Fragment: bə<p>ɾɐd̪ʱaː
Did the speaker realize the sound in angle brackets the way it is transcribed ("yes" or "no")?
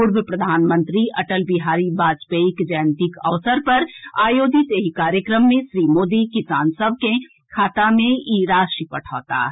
yes